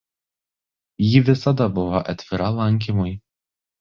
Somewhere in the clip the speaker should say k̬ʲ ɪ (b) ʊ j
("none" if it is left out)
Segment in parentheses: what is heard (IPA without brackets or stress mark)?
m